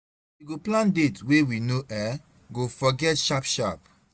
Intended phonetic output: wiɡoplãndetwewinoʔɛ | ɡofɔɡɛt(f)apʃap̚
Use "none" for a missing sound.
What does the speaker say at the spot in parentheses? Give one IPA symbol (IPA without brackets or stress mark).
ʃ